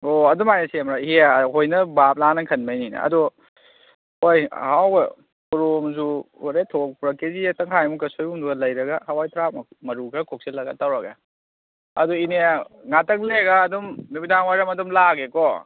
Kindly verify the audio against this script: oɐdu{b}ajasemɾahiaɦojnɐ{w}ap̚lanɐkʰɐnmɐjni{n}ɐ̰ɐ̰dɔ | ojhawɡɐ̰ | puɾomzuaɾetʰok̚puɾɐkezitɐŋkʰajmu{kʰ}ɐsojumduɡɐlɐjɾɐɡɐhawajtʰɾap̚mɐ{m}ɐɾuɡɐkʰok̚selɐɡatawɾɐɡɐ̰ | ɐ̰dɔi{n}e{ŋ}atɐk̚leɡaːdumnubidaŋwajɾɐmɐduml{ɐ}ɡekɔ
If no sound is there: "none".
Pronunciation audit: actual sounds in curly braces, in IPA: m, b, n, k, m, n, ŋ, a

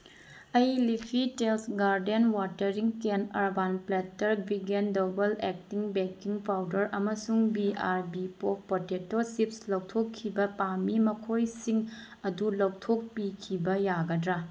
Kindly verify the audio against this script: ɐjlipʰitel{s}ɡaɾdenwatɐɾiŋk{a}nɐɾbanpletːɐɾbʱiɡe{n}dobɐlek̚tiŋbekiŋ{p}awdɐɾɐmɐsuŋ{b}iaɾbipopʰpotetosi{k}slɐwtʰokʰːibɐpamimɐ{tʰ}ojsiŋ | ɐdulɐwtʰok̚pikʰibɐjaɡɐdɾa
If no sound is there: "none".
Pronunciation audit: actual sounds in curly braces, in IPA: s, e, n, pʰ, b, p, kʰ

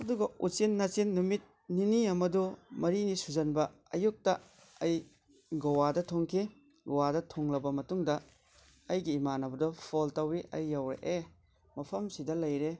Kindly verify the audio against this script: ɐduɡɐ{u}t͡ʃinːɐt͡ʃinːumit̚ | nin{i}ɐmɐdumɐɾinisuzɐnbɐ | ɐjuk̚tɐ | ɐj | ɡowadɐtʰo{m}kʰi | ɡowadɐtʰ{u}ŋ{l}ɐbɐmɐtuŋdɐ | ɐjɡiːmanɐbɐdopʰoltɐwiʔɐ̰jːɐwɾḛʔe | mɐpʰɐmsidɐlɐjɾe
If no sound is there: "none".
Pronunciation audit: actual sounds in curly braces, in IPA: u, i, ŋ, o, l

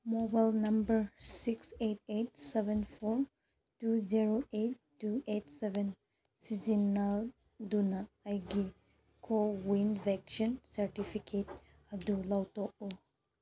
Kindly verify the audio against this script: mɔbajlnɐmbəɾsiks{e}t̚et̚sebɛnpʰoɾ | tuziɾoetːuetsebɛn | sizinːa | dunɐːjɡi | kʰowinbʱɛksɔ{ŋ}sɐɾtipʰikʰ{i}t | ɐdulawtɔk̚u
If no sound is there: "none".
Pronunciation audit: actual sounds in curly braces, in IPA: e, n, e

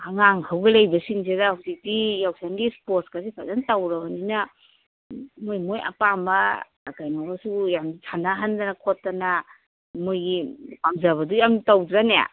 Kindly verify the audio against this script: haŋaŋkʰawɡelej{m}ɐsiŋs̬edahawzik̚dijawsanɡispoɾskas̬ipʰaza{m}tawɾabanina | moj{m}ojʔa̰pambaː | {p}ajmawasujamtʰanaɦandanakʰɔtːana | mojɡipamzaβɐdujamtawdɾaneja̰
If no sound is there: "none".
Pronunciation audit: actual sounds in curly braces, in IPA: b, n, m, k

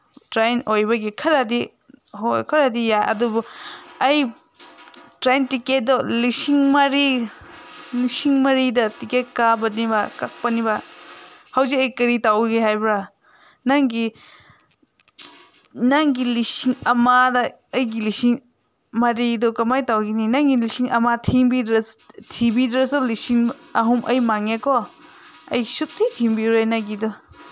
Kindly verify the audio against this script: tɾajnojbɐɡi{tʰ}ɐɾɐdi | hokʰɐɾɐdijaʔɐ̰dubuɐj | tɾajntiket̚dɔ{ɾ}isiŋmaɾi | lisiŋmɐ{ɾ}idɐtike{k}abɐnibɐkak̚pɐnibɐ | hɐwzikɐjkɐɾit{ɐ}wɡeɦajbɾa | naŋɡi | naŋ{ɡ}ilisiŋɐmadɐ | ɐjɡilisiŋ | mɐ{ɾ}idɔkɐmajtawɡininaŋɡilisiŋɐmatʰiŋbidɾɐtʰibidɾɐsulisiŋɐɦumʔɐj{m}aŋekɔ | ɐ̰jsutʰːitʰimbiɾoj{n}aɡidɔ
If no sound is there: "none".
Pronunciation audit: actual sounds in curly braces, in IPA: kʰ, l, ɾ, k, a, ɡ, ɾ, m, n

